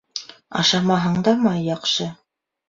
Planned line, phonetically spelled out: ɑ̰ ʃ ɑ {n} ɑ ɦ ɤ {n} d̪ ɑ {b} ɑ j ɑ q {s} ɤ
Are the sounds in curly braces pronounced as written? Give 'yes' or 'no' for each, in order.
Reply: no, no, no, no

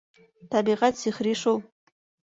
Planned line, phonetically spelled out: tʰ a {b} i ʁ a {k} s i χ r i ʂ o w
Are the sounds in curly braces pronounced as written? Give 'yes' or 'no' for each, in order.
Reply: yes, no

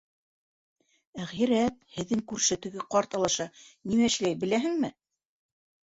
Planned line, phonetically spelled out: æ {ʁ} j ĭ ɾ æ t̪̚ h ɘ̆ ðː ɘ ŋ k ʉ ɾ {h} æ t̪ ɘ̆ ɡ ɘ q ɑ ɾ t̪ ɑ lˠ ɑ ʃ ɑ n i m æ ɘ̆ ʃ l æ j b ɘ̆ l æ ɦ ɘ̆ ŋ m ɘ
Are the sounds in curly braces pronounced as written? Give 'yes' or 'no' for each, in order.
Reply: yes, no

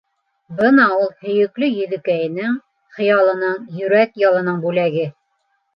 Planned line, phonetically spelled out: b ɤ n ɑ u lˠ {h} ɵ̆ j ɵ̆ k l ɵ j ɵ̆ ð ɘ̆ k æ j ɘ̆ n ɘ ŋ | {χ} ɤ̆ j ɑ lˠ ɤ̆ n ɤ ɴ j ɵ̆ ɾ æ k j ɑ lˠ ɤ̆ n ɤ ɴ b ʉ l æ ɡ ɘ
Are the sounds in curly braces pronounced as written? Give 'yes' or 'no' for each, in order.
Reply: yes, yes

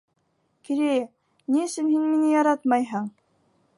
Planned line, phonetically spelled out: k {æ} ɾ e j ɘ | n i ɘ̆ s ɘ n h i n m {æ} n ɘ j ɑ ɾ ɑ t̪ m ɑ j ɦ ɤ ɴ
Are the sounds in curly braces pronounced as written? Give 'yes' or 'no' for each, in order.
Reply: no, no

